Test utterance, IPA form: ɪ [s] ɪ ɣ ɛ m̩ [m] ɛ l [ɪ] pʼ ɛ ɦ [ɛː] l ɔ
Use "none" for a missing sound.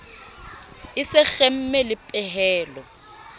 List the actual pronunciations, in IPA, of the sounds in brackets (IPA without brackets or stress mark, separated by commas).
s, m, ɪ, ɛː